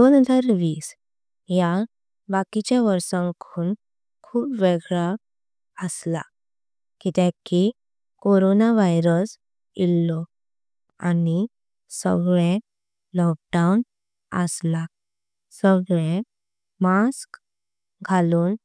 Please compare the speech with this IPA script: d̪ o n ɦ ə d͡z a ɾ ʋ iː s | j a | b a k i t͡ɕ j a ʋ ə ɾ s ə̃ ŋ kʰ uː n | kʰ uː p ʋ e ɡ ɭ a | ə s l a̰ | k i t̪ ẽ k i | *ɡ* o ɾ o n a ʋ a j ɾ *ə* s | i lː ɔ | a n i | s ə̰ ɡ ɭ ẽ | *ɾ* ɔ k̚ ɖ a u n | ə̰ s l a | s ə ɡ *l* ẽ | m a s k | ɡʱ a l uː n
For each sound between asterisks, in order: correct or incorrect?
incorrect: k, correct, incorrect: l, incorrect: ɭ

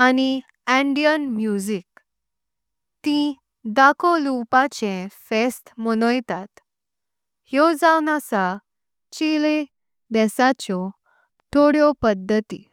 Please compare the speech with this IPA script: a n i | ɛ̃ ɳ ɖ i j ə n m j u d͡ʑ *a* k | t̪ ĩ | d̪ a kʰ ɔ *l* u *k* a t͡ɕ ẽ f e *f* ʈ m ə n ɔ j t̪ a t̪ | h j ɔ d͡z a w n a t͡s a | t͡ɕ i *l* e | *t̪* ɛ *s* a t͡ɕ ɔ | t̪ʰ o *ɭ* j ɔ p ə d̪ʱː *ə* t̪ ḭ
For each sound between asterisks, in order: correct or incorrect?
incorrect: i, correct, incorrect: p, incorrect: s, correct, incorrect: d̪, correct, incorrect: ɽ, correct

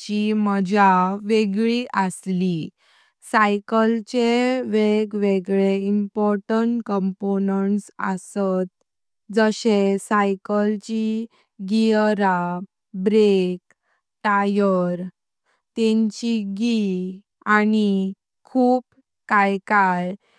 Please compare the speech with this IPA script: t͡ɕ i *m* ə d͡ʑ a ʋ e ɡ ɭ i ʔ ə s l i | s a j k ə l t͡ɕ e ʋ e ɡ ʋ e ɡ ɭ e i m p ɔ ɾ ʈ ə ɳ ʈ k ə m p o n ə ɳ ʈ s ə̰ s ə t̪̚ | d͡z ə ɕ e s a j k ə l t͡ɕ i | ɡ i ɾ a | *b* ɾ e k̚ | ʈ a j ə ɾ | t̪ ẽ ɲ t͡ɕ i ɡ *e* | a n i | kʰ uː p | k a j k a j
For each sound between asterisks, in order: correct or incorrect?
correct, correct, incorrect: i

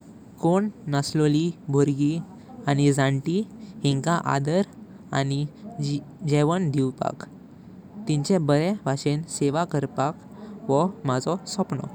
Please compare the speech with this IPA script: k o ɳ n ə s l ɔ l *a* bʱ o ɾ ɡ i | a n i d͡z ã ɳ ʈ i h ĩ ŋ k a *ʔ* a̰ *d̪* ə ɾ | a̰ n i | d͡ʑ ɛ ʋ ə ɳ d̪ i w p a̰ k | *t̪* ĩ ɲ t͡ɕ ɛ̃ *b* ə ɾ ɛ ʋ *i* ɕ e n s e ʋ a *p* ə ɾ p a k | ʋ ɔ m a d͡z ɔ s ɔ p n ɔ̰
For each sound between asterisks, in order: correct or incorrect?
incorrect: i, correct, correct, correct, correct, incorrect: a, incorrect: k

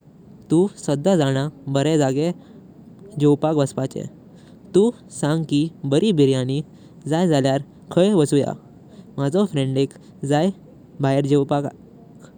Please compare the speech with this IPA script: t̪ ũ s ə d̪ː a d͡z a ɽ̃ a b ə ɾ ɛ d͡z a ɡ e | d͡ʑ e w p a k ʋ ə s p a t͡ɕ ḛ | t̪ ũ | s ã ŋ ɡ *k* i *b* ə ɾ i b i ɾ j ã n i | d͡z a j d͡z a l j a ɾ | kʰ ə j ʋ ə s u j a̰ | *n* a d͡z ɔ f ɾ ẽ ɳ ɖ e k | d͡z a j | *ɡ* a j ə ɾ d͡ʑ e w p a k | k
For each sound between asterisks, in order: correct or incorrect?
correct, correct, incorrect: m, incorrect: b

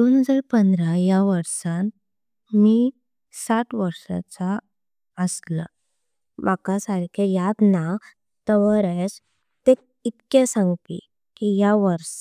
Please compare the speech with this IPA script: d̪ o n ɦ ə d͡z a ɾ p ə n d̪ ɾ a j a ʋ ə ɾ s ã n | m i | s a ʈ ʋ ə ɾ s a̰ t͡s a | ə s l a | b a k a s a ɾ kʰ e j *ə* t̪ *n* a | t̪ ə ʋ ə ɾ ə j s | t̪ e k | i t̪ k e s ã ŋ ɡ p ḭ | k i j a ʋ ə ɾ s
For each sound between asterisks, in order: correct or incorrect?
incorrect: a, correct

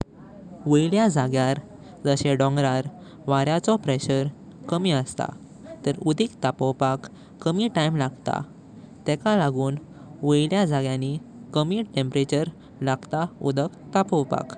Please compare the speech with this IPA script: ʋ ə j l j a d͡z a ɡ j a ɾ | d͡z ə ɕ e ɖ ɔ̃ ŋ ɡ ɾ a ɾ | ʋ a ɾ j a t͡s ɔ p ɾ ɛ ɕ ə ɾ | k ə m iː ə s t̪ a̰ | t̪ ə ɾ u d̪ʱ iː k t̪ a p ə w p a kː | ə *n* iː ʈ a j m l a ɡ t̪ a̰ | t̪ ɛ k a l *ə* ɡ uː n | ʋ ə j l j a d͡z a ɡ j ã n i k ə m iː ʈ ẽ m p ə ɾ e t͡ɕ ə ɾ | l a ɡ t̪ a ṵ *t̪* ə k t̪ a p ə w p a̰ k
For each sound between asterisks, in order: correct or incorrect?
incorrect: m, incorrect: a, incorrect: d̪

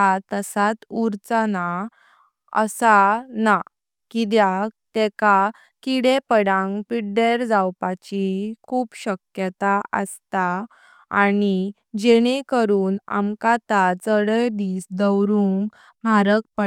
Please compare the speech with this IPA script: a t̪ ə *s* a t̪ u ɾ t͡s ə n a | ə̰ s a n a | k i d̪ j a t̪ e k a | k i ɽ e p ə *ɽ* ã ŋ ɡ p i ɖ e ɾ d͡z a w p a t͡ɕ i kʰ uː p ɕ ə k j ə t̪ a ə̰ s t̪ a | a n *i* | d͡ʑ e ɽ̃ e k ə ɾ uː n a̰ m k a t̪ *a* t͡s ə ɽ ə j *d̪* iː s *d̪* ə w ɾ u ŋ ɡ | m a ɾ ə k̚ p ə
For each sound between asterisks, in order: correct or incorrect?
correct, correct, correct, correct, correct, correct

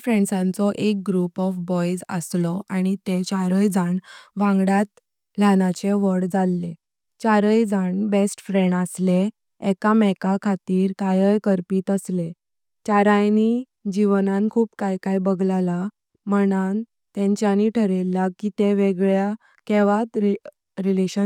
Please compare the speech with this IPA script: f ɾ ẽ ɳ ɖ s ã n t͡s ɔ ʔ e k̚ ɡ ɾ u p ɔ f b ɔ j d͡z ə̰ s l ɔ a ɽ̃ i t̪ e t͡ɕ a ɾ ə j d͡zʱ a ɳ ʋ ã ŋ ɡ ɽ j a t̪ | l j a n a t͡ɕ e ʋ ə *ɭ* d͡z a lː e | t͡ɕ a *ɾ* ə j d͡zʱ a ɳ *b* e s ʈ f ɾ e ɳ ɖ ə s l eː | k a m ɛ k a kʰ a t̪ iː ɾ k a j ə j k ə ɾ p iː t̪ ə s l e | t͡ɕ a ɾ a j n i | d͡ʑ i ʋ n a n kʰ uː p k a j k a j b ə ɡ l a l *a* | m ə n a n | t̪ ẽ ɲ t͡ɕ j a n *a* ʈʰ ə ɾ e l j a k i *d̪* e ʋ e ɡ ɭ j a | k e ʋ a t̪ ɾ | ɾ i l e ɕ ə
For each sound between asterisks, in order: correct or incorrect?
incorrect: ɽ, correct, correct, correct, incorrect: i, incorrect: t̪

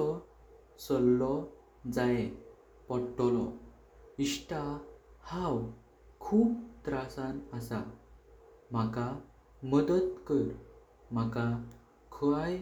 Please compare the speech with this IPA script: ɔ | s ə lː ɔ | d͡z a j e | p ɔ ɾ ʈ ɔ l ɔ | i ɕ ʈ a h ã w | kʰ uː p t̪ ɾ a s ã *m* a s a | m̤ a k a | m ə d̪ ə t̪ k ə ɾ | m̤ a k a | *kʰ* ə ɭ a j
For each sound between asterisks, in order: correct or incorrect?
incorrect: n, correct

